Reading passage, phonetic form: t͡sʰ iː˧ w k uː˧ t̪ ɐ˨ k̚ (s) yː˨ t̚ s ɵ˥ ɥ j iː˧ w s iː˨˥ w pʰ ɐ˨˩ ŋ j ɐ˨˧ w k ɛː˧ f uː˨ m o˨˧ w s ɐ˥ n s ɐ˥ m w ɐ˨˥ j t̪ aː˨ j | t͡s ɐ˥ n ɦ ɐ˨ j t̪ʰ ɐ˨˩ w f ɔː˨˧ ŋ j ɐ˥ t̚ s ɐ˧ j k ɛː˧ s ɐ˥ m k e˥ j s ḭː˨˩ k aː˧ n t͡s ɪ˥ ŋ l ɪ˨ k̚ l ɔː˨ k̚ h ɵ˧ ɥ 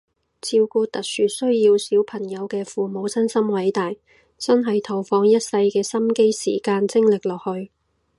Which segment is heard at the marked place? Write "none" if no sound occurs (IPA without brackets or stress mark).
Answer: s